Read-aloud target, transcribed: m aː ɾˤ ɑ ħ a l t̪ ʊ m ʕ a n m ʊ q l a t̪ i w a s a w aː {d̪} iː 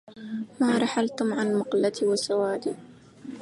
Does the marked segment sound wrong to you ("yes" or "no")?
no